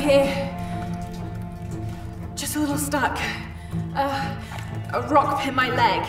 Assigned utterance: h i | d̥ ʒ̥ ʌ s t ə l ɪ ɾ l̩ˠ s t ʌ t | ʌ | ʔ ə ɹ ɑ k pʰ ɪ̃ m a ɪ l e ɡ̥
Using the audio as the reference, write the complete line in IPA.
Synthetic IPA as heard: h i | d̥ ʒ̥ ʌ s t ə l ɪ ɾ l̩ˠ s t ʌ k | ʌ | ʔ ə ɹ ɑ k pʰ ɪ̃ m a ɪ l ɛ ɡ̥